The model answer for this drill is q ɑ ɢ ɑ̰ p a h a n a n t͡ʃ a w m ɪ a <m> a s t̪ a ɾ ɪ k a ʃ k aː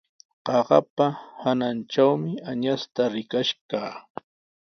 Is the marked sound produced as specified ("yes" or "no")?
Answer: no